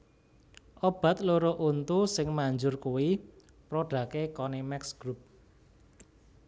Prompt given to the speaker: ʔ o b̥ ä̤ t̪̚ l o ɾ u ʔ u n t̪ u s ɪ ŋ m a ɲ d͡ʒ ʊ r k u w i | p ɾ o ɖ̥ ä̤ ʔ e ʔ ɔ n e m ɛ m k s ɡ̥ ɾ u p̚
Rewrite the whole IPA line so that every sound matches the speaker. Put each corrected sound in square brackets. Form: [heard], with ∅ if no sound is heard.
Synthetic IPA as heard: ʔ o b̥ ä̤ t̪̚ l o ɾ [o] ʔ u n t̪ u s ɪ ŋ m a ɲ d͡ʒ ʊ r k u w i | p ɾ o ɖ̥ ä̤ [k] e [k] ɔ n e m ɛ [∅] k s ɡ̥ ɾ u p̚

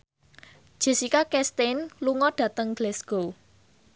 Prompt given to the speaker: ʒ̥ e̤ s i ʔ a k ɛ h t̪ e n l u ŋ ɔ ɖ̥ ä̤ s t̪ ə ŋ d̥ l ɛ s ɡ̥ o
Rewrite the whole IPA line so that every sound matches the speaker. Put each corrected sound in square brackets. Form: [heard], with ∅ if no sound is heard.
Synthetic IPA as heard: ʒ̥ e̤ s i [k] a k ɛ [s] t̪ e n l u ŋ ɔ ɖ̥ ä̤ [∅] t̪ ə ŋ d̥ l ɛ s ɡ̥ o

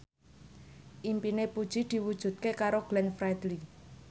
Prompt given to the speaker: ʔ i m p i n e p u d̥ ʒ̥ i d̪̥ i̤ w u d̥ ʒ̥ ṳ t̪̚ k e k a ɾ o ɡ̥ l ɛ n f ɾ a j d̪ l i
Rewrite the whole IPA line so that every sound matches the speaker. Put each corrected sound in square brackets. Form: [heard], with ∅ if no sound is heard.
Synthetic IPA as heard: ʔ i m p i n e p u d̥ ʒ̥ i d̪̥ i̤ w u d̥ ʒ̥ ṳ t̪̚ k e k a ɾ o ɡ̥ l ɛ n f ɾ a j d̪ l i

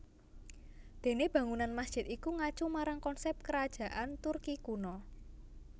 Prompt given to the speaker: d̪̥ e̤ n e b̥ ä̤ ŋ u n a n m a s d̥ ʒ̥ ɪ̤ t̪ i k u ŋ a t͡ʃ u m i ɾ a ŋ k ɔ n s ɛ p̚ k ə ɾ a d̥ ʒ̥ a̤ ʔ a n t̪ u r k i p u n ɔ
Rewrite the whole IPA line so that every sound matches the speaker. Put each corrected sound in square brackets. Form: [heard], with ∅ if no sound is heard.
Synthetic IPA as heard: d̪̥ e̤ n e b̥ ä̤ ŋ u n a n m a s d̥ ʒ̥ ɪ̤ t̪ i k u ŋ a t͡ʃ u m [a] ɾ a ŋ k ɔ n s ɛ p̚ k ə ɾ a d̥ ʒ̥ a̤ ʔ a n t̪ u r k i [k] u n ɔ

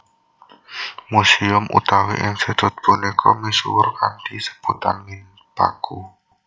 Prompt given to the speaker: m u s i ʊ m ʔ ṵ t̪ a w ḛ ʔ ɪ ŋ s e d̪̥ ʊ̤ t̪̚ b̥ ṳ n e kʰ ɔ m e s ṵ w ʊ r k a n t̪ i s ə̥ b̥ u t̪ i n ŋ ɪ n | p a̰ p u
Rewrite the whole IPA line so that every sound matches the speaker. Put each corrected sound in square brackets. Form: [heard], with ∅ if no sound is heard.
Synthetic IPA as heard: m u s i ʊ m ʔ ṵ t̪ a w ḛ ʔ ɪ ŋ s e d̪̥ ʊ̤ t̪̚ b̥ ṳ n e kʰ ɔ m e s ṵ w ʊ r k a n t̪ i s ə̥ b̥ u t̪ [a] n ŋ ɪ n | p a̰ [k] u

